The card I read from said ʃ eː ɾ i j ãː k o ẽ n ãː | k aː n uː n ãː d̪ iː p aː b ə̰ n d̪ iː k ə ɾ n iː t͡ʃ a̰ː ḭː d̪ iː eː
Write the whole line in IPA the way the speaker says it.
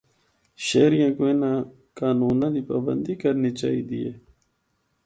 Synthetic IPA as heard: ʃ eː ɾ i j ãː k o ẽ n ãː | k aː n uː n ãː d̪ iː p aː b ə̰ n d̪ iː k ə ɾ n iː t͡ʃ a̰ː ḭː d̪ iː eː